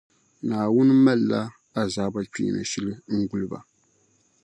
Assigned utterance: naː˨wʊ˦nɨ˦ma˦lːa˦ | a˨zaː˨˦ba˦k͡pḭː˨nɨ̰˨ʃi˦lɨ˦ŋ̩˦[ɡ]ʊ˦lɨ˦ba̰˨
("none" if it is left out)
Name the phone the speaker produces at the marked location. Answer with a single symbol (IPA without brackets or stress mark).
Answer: ɡ